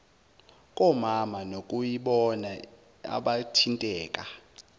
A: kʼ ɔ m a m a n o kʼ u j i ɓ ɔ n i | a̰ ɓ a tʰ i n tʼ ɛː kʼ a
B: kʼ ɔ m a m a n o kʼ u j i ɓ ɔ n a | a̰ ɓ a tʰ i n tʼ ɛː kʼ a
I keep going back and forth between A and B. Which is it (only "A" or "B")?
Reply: B